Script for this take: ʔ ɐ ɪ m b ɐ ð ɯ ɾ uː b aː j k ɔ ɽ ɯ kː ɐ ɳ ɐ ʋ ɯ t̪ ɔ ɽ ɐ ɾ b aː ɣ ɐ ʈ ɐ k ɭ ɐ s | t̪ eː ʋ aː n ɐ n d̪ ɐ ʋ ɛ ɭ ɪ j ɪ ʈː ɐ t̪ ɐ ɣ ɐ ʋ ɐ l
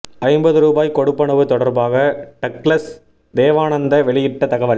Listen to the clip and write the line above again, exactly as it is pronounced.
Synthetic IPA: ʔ ɐ ɪ m b ɐ ð ɯ ɾ uː b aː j k ɔ ɽ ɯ pː ɐ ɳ ɐ ʋ ɯ t̪ ɔ ɽ ɐ ɾ b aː ɣ ɐ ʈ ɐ k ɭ ɐ s | d̪ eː ʋ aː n ɐ n d̪ ɐ ʋ ɛ ɭ ɪ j ɪ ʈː ɐ t̪ ɐ ɣ ɐ ʋ ɐ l

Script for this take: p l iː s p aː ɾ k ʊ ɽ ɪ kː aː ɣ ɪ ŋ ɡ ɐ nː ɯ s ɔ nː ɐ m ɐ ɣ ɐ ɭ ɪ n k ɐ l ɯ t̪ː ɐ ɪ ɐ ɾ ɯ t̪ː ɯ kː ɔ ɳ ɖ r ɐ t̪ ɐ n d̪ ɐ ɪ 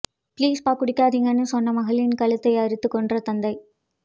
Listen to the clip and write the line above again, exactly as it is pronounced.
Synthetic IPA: p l iː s p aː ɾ k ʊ ɽ ɪ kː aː ð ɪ ŋ ɡ ɐ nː ɯ s ɔ nː ɐ m ɐ ɣ ɐ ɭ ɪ n k ɐ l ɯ t̪ː ɐ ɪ ɐ ɾ ɯ t̪ː ɯ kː ɔ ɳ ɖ r ɐ t̪ ɐ n d̪ ɐ ɪ

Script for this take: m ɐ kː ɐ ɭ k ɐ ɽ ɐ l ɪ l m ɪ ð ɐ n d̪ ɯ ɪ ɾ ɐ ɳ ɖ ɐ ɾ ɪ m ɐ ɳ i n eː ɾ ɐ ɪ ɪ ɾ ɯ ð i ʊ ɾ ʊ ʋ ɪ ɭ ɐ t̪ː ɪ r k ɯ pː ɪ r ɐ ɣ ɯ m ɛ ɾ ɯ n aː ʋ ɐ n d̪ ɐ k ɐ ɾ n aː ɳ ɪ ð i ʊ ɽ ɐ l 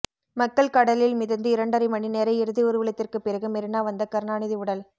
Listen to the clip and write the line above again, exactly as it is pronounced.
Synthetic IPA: m ɐ kː ɐ ɭ k ɐ ɽ ɐ l ɪ l m ɪ ð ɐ n d̪ ɯ ɪ ɾ ɐ ɳ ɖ ɐ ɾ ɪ m ɐ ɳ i n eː ɾ ɐ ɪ ɪ ɾ ɯ ð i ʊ ɾ ɯ ʋ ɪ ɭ ɐ t̪ː ɪ r k ɯ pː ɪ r ɐ ɣ ɯ m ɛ ɾ ɯ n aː ʋ ɐ n d̪ ɐ k ɐ ɾ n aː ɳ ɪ ð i ʊ ɽ ɐ l

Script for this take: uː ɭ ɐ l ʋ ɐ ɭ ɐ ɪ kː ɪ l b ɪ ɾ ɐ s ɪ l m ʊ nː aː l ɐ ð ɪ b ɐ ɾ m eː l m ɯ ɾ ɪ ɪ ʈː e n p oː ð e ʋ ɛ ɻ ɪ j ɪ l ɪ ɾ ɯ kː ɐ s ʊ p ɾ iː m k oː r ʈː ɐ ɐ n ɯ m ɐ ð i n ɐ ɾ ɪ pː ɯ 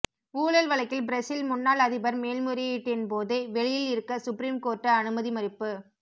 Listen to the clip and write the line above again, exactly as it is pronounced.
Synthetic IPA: uː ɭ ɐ l ʋ ɐ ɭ ɐ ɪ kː ɪ l b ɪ ɾ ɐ s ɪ l m ʊ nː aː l ɐ ð ɪ b ɐ ɾ m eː l m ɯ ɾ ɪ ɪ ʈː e n p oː ð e ʋ ɛ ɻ ɪ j ɪ l ɪ ɾ ɯ kː ɐ s ʊ p ɾ iː m k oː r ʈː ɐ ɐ n ɯ m ɐ ð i m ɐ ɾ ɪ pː ɯ

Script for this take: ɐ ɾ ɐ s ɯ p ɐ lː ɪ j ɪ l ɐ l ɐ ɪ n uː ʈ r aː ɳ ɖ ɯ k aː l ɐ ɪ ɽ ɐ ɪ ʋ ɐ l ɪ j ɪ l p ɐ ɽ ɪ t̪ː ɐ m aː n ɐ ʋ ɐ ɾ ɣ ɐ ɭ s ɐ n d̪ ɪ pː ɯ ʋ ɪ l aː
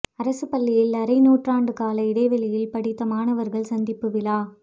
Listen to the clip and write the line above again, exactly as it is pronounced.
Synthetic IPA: ɐ ɾ ɐ s ɯ p ɐ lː ɪ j ɪ l ɐ ɾ ɐ ɪ n uː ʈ r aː ɳ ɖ ɯ k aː l ɐ ɪ ɽ ɐ ɪ ʋ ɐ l ɪ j ɪ l p ɐ ɽ ɪ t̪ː ɐ m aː n ɐ ʋ ɐ ɾ ɣ ɐ ɭ s ɐ n d̪ ɪ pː ɯ ʋ ɪ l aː

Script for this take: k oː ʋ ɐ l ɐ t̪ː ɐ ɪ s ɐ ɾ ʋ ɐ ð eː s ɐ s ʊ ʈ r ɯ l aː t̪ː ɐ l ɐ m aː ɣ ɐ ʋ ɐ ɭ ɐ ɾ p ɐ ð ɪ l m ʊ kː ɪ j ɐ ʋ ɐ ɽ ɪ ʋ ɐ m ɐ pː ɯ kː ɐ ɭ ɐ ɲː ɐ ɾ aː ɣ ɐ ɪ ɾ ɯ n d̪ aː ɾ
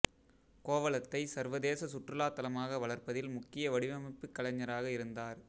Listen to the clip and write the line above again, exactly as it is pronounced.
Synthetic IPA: k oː ʋ ɐ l ɐ t̪ː ɐ ɪ s ɐ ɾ ʋ ɐ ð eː s ɐ s ʊ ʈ r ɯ l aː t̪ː ɐ l ɐ m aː ɣ ɐ ʋ ɐ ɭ ɐ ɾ p ɐ ð ɪ l m ʊ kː ɪ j ɐ ʋ ɐ ɽ ɪ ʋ ɐ m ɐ pː ɯ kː ɐ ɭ ɐ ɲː ɐ ɾ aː ɣ ɐ ɪ ɾ ɯ n d̪ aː ɾ

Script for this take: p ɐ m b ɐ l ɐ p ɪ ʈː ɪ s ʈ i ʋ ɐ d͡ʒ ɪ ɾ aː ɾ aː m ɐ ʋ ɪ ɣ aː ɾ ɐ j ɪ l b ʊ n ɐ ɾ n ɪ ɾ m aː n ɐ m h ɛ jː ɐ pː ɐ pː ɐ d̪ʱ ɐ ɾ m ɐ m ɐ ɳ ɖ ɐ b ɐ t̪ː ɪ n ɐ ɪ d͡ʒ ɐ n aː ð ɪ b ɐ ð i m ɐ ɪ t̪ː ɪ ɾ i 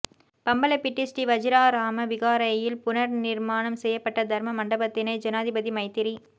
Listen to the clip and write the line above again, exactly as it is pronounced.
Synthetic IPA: p ɐ m b ɐ l ɐ p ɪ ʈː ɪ s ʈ i ʋ ɐ d͡ʒ ɪ ɾ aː ɾ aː m ɐ ʋ ɪ ɣ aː ɾ ɐ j ɪ l p ʊ n ɐ ɾ n ɪ ɾ m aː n ɐ m s ɛ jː ɐ pː ɐ ʈː ɐ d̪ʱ ɐ ɾ m ɐ m ɐ ɳ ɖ ɐ b ɐ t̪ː ɪ n ɐ ɪ d͡ʒ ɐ n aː ð ɪ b ɐ ð i m ɐ ɪ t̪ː ɪ ɾ i

